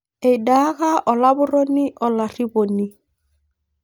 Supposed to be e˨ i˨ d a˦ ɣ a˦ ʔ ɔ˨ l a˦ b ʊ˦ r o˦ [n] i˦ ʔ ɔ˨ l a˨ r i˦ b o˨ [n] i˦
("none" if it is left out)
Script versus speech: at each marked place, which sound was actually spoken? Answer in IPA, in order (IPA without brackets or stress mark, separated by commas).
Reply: n, n